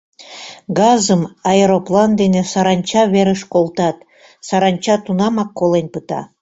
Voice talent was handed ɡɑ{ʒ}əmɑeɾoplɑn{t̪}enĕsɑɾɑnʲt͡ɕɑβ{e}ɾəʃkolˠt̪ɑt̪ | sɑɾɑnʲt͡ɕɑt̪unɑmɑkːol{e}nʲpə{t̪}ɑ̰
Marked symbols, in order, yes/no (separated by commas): no, no, yes, yes, yes